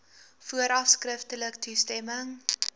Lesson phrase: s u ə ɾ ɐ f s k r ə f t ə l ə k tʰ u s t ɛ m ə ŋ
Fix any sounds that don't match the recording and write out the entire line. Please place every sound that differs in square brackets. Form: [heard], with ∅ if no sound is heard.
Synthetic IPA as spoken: [f] u ə ɾ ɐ f s k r ə f t ə l ə k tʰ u s t ɛ m ə ŋ